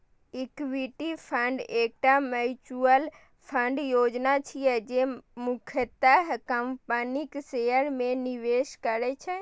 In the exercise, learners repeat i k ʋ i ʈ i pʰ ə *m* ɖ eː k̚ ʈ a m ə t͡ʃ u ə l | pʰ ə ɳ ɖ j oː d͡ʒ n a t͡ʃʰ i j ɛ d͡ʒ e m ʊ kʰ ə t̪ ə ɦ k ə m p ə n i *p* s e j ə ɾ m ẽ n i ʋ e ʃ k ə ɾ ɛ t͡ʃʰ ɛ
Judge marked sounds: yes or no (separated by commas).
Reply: no, no